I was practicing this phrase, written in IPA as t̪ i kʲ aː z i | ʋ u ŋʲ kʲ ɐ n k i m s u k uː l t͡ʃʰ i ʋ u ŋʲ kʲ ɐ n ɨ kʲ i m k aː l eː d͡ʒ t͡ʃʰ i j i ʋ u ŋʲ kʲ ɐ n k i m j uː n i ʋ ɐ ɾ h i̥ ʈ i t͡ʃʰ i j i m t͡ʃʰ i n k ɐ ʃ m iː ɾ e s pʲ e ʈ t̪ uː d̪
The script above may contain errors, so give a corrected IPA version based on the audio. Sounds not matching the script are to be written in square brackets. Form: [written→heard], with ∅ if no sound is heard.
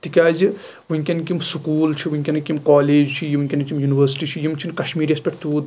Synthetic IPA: t̪ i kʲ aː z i | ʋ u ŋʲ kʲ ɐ n k i m s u k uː l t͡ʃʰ i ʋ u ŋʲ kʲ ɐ n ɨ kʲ i m k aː l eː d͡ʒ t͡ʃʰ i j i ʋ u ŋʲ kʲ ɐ n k i m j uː n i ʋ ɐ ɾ [h→s] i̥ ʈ i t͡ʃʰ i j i m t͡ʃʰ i n k ɐ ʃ m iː ɾ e s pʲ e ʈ t̪ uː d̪

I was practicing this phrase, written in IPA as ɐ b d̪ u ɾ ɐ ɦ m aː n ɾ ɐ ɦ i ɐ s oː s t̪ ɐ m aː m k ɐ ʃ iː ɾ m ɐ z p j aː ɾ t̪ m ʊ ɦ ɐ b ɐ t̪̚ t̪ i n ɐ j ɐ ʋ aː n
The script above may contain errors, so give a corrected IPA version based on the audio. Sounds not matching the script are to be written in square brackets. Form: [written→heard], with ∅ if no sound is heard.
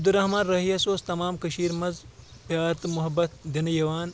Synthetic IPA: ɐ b d̪ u ɾ ɐ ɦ m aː n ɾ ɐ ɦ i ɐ s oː s t̪ ɐ m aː m k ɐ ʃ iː ɾ m ɐ z p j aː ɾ t̪ m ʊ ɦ ɐ b ɐ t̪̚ [t̪→d̪] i n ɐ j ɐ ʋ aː n

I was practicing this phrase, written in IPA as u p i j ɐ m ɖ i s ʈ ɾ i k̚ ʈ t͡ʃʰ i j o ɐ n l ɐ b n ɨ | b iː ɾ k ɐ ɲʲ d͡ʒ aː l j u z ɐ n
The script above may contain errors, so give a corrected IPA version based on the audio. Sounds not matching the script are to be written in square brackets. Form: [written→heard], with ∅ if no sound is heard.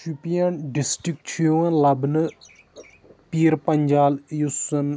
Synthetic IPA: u p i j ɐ [m→n] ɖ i s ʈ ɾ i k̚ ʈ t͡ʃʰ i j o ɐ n l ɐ b n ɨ | [b→p] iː ɾ [k→p] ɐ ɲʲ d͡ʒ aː l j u [z→s] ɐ n

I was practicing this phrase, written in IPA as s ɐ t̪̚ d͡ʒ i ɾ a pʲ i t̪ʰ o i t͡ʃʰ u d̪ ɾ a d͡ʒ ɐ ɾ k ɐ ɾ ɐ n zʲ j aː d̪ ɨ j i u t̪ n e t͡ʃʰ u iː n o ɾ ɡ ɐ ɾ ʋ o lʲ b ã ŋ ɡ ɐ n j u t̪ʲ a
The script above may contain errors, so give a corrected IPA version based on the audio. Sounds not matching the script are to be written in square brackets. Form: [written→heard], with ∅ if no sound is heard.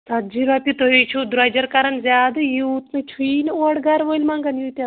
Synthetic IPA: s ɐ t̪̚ d͡ʒ i ɾ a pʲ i [t̪ʰ→t̪] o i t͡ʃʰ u d̪ ɾ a d͡ʒ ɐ ɾ k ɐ ɾ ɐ n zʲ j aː d̪ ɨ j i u t̪ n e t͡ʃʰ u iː n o [ɾ→ɽ] ɡ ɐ ɾ ʋ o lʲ [b→m] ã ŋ ɡ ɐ n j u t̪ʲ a

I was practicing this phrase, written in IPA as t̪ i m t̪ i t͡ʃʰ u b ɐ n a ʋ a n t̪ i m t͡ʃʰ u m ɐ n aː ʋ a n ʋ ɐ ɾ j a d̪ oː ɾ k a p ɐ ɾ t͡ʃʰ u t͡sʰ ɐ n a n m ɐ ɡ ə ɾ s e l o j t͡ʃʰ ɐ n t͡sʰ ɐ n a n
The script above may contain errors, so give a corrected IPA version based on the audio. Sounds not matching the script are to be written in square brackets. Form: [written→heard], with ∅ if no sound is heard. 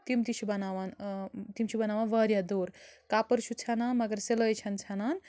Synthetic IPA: t̪ i m t̪ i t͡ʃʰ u b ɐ n a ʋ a n t̪ i m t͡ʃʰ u [m→b] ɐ n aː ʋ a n ʋ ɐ ɾ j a d̪ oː ɾ k a p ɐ ɾ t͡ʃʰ u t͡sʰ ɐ n a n m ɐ ɡ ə ɾ s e l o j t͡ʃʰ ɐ n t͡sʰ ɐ n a n

